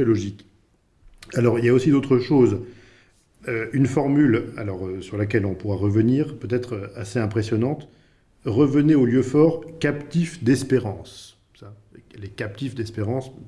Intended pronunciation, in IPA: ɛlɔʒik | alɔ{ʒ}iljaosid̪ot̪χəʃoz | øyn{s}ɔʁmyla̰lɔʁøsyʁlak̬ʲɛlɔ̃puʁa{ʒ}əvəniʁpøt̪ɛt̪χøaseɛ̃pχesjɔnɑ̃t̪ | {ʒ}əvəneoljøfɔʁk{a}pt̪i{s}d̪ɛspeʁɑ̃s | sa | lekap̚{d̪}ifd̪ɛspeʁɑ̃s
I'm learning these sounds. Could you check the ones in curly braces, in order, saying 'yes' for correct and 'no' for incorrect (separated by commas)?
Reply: no, no, no, no, yes, no, no